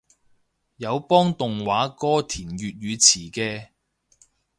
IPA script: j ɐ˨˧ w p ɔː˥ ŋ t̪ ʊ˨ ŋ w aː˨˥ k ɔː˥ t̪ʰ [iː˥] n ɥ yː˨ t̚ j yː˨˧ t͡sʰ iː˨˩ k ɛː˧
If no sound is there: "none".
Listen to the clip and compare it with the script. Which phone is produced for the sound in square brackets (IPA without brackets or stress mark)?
iː˨˩